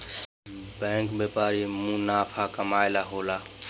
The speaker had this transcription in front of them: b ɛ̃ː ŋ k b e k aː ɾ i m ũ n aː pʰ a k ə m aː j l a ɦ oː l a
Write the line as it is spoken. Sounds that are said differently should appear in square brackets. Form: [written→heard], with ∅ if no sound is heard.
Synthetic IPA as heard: b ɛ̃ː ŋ k b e [k→p] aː ɾ i m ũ n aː pʰ a k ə m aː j l a ɦ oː l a